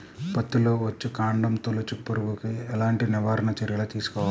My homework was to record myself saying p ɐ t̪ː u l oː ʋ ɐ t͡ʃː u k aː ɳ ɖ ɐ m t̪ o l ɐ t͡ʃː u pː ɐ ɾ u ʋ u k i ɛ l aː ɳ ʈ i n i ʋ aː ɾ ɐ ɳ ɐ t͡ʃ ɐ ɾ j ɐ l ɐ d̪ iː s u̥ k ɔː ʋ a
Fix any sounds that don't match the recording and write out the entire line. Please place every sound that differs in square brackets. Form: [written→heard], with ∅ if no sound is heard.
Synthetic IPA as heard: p ɐ t̪ː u l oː ʋ ɐ t͡ʃː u k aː ɳ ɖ ɐ m t̪ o l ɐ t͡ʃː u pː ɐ ɾ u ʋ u k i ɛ l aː ɳ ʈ i n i ʋ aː ɾ ɐ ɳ ɐ t͡ʃ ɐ ɾ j ɐ l ɐ [d̪→t̪] iː s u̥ k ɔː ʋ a